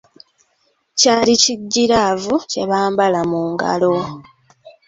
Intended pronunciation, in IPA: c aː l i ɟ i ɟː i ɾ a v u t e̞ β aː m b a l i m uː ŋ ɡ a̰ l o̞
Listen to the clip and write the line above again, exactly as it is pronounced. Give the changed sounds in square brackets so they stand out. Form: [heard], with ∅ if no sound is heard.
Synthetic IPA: c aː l i [c] i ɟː i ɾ a v u [c] e̞ β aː m b a l [a] m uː ŋ ɡ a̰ l o̞

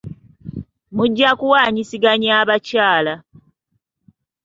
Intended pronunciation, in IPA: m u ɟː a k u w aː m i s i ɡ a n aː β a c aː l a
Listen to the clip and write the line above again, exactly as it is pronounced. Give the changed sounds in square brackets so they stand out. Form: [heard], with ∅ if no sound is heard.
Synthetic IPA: m u ɟː a k u w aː [ɲ] i s i ɡ a [ɲ] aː β a c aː l a

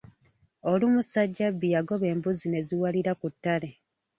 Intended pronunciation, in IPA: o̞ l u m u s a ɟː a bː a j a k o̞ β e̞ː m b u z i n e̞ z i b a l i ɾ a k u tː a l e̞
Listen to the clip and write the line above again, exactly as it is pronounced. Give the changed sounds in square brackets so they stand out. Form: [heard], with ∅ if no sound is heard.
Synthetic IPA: o̞ l u m u s a ɟː a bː [i] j a [ɡ] o̞ β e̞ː m b u z i n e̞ z i [w] a l i ɾ a k u tː a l e̞

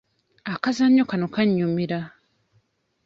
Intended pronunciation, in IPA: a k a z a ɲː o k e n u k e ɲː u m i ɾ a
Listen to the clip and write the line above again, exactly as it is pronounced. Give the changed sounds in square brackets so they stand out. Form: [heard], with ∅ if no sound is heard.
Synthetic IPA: a k a z a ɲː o k [a] n [o] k [a] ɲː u m i ɾ a

